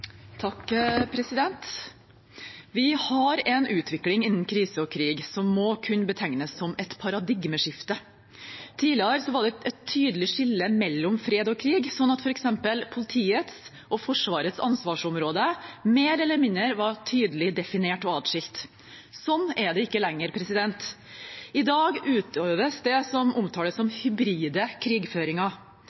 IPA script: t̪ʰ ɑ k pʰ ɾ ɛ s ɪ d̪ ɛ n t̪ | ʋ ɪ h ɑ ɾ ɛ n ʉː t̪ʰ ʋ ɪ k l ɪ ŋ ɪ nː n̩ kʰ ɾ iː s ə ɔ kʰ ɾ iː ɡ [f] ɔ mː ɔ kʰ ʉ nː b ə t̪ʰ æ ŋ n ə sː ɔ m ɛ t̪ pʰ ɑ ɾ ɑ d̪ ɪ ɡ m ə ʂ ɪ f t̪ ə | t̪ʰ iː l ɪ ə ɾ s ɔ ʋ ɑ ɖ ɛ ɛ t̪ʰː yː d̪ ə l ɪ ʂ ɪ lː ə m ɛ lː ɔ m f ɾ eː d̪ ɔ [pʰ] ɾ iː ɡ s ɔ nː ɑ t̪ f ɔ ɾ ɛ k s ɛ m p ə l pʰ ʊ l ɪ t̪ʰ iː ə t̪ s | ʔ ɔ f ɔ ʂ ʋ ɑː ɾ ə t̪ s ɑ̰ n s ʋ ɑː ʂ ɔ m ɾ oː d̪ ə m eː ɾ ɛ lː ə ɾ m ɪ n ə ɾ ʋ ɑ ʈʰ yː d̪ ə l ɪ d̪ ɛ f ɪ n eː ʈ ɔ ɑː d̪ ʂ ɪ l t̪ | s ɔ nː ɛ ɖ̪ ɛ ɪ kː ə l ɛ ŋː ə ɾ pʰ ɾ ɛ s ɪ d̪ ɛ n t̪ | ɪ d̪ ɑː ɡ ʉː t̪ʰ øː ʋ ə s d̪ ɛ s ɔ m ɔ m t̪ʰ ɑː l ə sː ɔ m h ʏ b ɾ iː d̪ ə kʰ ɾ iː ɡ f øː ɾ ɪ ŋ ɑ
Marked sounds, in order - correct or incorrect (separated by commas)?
incorrect, incorrect